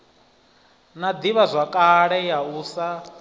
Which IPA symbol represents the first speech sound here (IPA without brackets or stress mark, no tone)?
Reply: n